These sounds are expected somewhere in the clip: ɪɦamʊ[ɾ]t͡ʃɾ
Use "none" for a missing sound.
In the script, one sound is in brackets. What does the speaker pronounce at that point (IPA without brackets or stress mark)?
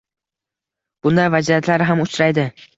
none